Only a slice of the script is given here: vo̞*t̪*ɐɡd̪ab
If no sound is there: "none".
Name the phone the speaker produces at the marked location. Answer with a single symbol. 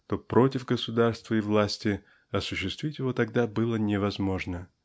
t̪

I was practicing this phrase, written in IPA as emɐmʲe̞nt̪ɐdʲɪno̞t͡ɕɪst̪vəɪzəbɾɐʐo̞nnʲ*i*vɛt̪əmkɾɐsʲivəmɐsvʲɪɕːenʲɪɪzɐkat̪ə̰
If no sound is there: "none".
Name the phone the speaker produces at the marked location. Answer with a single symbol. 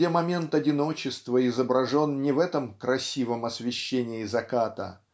ɪ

